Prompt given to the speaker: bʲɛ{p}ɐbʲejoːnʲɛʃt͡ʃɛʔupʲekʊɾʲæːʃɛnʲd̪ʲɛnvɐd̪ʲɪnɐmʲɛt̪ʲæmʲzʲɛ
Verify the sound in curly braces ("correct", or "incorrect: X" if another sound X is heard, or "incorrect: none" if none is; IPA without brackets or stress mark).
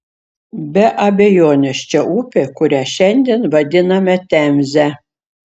incorrect: ʔ